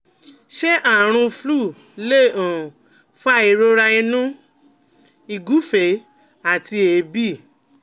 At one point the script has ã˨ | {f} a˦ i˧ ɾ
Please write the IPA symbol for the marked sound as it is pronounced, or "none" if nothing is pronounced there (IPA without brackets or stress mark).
f